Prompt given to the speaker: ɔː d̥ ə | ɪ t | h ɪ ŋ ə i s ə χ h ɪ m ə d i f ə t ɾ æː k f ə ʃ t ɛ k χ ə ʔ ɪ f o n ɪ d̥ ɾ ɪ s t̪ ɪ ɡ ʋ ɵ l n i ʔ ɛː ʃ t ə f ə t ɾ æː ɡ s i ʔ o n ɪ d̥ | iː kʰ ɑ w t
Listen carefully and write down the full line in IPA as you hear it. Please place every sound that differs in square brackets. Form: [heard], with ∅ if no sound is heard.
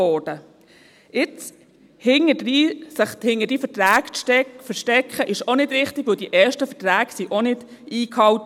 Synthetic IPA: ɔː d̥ ə | ɪ [t͡s] | h ɪ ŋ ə i s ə χ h ɪ [ŋ] ə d i f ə t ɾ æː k f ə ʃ t ɛ k χ ə ʔ ɪ [ʃ] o n ɪ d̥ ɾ ɪ [χ] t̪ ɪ ɡ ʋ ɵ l [d] i ʔ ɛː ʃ t ə f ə t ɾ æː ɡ s i ʔ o n ɪ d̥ | iː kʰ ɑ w t